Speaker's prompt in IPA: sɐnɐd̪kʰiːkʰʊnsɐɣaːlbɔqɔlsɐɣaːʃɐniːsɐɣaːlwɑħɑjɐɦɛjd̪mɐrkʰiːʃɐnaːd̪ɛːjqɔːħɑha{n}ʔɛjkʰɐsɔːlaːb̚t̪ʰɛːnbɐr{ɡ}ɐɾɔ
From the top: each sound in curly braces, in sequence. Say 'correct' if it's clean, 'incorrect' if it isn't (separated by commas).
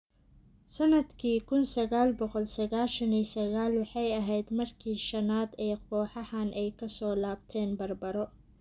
correct, incorrect